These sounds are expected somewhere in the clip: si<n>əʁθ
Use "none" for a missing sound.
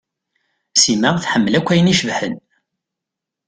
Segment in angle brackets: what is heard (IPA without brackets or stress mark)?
m